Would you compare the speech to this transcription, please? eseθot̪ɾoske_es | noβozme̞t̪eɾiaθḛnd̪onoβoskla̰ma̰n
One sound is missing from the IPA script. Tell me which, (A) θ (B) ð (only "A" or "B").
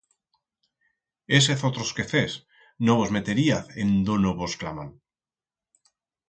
A